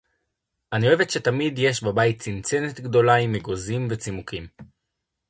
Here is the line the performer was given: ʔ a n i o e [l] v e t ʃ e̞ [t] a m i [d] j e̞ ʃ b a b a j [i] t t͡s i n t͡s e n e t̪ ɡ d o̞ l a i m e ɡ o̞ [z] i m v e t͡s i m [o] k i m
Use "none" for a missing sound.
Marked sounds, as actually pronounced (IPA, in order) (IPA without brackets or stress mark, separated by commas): none, t, d, i, z, u